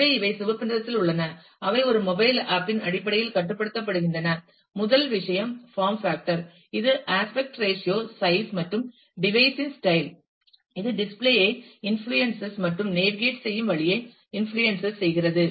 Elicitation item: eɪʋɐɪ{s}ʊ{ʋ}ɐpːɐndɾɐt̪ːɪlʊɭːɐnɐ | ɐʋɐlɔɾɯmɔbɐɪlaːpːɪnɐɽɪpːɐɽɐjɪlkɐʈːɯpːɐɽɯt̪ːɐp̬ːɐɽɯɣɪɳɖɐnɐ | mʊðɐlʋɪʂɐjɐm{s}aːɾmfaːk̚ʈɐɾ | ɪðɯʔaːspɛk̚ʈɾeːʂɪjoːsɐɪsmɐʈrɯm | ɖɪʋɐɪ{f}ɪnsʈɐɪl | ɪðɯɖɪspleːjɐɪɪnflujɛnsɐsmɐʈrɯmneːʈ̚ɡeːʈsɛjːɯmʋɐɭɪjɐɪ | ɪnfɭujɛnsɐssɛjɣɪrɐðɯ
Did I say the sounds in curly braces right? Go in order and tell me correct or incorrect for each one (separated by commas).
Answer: correct, correct, incorrect, incorrect